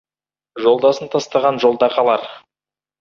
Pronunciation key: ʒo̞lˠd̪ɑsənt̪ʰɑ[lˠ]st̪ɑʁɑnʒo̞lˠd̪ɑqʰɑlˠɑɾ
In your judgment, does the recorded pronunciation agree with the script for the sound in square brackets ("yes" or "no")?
no